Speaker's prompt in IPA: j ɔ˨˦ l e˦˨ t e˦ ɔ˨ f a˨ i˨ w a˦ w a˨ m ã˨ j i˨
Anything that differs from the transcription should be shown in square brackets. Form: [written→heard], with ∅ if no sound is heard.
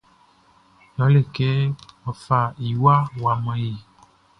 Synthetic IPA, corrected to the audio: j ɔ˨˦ l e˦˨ [t→k] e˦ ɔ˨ f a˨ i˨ w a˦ w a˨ m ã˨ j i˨